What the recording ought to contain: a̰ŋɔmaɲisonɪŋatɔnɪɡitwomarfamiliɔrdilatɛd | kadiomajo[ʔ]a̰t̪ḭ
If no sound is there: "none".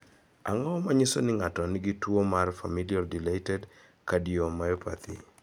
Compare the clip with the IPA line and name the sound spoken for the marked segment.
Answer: p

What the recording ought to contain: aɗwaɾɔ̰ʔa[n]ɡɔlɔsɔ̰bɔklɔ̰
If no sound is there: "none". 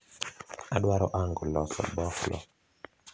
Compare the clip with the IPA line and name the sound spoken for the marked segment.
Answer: ŋ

